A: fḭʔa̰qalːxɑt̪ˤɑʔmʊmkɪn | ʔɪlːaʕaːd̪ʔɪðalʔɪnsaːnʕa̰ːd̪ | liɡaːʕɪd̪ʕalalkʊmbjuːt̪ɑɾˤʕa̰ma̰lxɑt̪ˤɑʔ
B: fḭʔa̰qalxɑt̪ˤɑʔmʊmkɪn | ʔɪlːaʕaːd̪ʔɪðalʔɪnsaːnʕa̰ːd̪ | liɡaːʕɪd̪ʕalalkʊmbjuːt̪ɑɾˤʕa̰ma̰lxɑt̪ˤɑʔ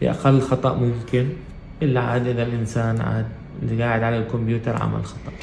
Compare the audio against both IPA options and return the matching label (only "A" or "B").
A